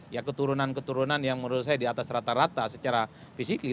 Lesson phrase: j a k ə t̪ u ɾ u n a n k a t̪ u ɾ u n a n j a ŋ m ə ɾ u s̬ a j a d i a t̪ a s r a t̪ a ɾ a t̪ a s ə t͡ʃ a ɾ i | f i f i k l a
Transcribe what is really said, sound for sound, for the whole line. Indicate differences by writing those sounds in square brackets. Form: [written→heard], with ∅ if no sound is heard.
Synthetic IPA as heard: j a k ə t̪ u ɾ u n a n k [a→ə] t̪ u ɾ u n a n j a ŋ m ə ɾ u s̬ a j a d i a t̪ a s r a t̪ a ɾ a t̪ a s ə t͡ʃ a ɾ [i→a] | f i [f→s] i k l [a→i]